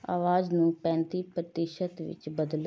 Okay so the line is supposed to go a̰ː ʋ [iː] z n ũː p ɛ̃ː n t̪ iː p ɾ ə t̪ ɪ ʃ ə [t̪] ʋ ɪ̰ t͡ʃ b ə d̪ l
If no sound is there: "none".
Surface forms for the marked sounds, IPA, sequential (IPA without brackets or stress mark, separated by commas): aː, t̪